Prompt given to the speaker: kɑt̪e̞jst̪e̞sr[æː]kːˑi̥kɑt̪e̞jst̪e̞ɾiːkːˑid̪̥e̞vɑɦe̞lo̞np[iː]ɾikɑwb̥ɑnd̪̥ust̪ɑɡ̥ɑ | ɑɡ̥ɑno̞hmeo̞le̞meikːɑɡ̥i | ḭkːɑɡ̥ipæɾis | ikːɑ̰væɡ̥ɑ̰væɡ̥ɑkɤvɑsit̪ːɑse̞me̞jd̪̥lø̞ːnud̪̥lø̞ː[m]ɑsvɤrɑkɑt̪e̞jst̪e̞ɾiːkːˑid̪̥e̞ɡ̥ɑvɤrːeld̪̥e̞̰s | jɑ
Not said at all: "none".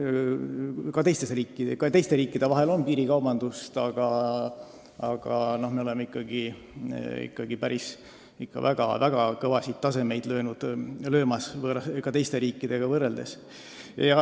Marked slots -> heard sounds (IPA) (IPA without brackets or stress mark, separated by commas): iː, iː, m